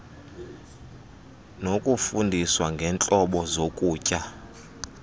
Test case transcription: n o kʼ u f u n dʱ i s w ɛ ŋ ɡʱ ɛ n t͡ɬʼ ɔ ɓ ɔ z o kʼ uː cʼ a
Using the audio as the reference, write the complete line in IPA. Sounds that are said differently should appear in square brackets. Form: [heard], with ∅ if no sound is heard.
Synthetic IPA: n o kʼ u f u n dʱ i s w [a] ŋ ɡʱ ɛ n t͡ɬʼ ɔ ɓ ɔ z o kʼ uː cʼ a